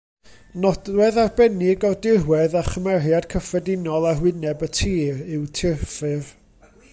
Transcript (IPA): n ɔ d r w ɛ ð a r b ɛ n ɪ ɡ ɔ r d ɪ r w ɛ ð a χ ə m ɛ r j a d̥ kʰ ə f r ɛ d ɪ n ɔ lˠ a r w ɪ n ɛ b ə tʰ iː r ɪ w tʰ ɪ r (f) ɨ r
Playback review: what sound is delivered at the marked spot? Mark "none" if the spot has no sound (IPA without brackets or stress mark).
f